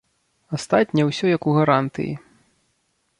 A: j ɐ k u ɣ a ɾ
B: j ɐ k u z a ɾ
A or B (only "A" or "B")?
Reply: A